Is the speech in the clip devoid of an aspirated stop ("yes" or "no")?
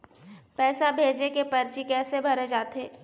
yes